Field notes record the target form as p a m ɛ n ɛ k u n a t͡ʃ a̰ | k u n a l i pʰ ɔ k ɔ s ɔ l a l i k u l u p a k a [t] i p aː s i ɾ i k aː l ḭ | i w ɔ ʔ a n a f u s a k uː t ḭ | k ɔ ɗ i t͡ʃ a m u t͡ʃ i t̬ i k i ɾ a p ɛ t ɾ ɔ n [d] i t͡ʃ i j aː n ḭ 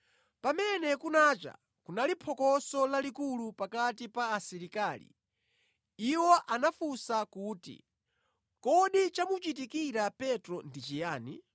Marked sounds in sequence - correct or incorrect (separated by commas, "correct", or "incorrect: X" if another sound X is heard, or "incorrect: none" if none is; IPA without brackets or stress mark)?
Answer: correct, correct